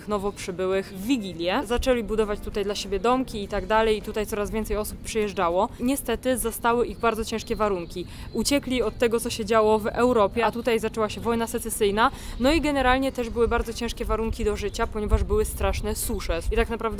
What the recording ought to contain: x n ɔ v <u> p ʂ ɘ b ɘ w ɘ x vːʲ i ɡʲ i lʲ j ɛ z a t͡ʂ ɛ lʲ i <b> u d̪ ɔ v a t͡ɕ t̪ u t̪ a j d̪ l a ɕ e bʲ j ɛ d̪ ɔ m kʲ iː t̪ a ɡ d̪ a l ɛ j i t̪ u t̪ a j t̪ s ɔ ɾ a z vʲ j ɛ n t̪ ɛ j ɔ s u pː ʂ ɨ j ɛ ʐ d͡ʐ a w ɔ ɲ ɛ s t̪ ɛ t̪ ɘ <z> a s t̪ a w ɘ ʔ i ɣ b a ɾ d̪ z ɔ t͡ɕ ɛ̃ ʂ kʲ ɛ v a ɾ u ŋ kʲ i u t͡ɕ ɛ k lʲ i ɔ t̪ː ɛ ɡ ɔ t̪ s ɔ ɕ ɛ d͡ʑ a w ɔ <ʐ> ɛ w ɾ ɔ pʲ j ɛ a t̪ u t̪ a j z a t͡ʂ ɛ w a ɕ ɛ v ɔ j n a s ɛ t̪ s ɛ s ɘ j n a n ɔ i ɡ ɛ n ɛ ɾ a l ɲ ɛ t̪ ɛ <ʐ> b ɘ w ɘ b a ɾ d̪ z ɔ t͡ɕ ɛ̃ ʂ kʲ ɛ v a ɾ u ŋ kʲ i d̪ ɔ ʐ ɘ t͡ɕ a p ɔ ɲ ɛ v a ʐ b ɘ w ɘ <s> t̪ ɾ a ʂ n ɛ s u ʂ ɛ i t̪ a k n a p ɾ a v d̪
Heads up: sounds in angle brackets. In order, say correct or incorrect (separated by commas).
incorrect, correct, correct, incorrect, correct, correct